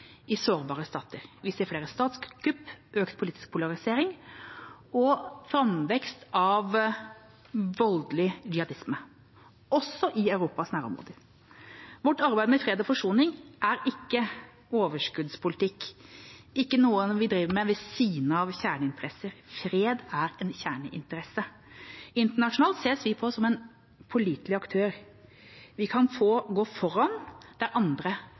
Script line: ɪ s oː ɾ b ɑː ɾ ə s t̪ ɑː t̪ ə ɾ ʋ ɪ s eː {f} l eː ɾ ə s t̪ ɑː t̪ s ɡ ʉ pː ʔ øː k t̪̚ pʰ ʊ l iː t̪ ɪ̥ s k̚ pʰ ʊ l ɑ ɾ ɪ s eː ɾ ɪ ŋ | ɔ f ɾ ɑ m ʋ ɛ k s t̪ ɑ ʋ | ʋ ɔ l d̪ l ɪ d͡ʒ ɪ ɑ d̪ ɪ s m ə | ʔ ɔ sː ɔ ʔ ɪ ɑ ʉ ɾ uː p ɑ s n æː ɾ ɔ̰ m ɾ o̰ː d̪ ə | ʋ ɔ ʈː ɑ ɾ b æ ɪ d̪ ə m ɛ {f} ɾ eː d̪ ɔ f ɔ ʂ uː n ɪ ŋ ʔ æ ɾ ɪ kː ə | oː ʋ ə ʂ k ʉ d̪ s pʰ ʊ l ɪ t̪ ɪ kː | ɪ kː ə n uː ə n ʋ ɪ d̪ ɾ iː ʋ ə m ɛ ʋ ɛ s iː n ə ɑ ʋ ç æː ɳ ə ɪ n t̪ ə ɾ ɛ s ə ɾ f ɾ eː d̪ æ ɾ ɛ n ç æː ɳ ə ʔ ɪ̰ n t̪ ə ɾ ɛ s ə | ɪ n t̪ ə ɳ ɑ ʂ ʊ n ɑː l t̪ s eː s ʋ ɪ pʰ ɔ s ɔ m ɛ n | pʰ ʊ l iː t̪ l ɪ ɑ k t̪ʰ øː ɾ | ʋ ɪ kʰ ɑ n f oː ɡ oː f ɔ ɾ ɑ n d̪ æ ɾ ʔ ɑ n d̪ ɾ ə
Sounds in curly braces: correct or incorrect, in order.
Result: correct, correct

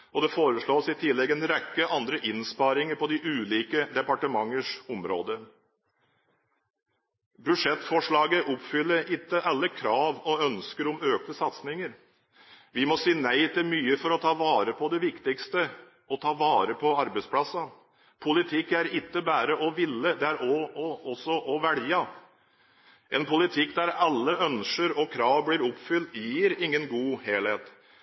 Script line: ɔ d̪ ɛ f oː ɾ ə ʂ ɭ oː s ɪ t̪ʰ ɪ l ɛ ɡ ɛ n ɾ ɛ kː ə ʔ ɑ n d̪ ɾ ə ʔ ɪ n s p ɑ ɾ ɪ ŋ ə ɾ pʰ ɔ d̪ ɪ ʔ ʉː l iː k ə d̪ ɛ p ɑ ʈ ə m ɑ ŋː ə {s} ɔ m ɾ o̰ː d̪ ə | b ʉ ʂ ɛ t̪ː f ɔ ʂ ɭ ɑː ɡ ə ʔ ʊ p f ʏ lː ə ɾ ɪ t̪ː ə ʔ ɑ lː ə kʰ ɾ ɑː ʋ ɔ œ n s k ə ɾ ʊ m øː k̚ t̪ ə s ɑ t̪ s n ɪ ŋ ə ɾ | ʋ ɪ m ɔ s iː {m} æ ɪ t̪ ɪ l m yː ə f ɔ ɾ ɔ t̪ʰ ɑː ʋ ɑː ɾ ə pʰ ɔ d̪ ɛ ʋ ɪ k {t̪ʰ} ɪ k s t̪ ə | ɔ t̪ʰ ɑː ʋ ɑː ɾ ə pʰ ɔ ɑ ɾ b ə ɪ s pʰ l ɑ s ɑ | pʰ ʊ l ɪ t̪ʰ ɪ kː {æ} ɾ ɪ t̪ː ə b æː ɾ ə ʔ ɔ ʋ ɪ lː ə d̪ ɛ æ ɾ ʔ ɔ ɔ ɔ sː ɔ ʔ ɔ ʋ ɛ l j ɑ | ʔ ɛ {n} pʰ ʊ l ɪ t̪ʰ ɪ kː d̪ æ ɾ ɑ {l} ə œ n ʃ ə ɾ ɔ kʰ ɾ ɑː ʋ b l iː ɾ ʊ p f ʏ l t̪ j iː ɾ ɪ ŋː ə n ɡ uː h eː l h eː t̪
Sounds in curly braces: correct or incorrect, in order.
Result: incorrect, incorrect, incorrect, correct, correct, incorrect

